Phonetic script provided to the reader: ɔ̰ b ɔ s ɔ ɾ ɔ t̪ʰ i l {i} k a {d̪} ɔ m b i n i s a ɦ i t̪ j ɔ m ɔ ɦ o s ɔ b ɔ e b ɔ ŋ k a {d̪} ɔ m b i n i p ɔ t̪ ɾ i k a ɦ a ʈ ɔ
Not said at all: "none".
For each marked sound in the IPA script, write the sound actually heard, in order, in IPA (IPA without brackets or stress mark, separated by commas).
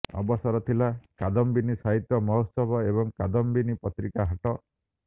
a, d̪, d̪